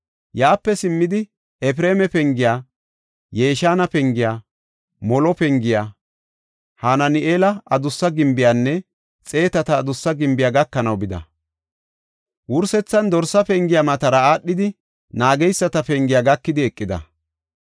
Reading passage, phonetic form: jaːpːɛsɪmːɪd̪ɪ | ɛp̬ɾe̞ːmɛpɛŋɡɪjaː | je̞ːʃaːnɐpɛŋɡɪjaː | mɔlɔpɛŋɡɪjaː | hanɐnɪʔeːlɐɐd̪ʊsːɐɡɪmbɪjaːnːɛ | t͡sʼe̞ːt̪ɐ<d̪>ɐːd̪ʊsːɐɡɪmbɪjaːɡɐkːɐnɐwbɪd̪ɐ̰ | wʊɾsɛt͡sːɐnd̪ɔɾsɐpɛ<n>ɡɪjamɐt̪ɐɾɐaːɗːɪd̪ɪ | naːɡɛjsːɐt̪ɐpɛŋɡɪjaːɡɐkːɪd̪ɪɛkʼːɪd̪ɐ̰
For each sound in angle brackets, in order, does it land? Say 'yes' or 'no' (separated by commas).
no, no